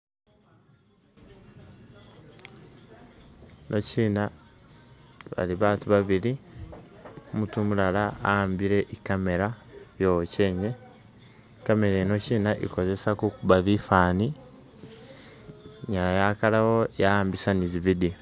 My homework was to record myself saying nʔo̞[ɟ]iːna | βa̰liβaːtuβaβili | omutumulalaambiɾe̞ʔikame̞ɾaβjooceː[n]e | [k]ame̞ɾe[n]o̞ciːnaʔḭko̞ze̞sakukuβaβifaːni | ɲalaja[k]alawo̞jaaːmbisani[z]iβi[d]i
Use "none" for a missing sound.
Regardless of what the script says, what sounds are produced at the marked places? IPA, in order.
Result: c, ɲ, k, n, k, z, d

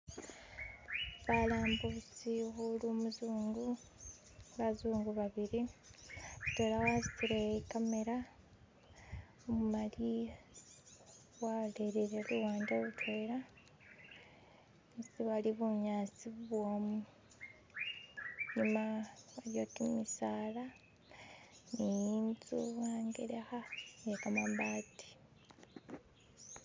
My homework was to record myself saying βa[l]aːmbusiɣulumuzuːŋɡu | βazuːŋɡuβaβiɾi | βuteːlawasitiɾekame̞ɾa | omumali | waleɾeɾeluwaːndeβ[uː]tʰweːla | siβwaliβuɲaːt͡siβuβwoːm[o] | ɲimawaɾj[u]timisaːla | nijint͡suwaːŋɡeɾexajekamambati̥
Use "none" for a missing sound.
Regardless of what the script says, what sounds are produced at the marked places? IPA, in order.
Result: l, u, u, o

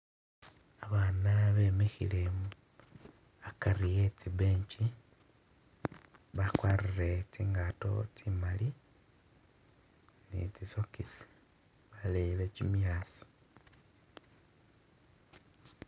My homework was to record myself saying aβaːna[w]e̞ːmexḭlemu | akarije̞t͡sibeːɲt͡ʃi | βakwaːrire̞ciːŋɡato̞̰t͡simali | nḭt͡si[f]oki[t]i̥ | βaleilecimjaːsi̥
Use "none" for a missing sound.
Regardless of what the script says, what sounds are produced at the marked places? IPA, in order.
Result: β, s, s

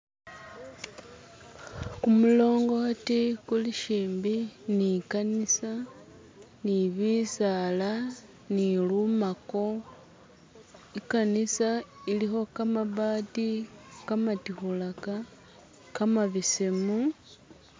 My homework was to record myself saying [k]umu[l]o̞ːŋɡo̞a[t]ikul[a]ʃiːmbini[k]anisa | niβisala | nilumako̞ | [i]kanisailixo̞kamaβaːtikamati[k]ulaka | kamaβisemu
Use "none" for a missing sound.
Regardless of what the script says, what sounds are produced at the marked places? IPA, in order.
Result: k, l, t, i, k, i, x

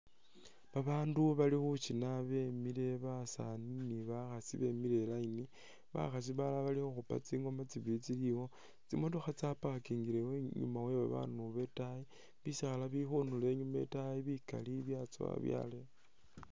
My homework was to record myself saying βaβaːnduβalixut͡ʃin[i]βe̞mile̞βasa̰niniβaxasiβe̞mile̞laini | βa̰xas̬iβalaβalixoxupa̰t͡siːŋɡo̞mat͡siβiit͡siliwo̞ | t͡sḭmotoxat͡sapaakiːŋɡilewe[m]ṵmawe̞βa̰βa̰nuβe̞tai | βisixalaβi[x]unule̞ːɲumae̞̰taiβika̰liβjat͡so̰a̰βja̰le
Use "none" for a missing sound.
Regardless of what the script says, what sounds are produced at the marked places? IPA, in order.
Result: a, ɲ, x

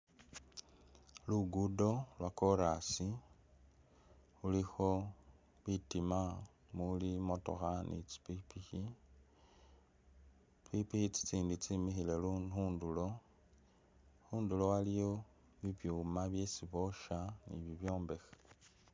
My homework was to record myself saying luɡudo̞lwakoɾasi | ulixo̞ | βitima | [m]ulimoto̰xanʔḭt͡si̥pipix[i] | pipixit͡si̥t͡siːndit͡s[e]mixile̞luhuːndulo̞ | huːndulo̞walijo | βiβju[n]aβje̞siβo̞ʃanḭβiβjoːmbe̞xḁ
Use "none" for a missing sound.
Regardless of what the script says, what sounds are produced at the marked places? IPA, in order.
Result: m, i, i, m

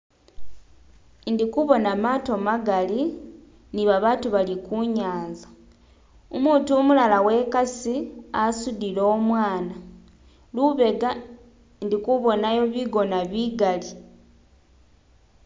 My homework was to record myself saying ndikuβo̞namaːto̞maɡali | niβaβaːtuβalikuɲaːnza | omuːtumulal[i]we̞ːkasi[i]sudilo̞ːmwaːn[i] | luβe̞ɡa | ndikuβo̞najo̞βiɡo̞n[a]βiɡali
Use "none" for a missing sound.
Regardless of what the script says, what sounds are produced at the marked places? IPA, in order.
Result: a, a, a, a

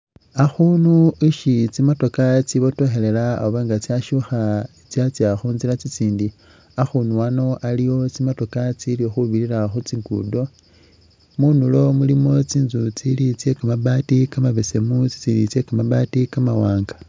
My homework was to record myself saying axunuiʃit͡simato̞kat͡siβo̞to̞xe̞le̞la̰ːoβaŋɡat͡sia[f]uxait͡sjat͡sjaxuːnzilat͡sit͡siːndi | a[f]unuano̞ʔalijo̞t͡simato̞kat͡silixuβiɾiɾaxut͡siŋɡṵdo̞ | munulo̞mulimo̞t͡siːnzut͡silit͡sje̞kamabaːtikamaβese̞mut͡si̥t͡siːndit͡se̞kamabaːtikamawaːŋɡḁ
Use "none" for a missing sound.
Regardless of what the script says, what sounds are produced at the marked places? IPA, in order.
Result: ʃ, x

